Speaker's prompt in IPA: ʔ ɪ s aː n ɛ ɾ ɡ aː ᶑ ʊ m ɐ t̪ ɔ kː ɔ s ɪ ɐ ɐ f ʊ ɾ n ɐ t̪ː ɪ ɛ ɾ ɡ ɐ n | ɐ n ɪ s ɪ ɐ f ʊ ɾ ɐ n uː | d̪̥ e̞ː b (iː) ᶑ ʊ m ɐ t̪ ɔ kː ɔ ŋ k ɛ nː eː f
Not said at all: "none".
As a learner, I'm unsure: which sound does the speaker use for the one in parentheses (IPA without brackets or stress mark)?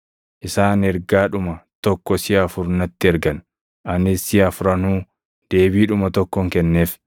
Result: iː